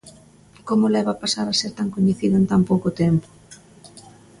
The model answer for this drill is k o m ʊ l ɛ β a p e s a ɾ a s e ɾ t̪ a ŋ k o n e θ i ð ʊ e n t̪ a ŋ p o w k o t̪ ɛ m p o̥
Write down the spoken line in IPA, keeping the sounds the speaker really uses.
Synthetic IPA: k o m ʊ l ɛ β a p a s a ɾ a s e ɾ t̪ a ŋ k o ɲ e θ i ð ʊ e n t̪ a m p o w k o t̪ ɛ m p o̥